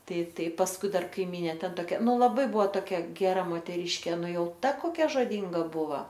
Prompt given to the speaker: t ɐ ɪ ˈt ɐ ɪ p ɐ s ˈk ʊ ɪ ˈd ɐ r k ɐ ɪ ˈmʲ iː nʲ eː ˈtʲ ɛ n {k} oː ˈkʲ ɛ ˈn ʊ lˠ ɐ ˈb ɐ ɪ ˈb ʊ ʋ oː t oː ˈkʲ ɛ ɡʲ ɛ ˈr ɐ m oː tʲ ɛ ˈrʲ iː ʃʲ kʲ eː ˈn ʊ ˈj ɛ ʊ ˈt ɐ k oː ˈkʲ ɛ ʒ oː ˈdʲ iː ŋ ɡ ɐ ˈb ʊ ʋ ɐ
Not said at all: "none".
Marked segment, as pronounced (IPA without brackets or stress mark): t